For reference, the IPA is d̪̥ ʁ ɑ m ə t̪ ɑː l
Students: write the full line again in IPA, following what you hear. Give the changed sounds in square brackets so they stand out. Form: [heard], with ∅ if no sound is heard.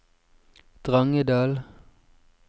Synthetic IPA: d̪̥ ʁ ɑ [ŋ] ə [d̪] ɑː l